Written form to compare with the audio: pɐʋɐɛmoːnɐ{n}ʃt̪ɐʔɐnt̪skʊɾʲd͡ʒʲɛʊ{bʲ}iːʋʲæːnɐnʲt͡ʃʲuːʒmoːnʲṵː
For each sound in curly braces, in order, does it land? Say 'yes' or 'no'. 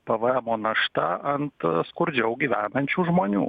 no, no

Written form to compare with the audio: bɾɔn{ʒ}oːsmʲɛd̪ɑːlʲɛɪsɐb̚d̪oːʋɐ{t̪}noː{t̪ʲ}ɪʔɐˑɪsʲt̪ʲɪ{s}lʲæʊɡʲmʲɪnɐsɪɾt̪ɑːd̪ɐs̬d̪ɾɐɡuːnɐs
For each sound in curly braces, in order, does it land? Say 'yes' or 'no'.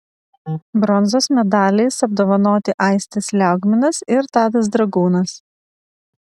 no, no, yes, yes

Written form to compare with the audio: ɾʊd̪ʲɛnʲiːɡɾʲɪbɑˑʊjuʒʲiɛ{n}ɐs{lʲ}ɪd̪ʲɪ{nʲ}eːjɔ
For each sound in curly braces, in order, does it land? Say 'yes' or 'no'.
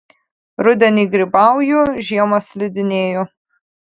no, yes, yes

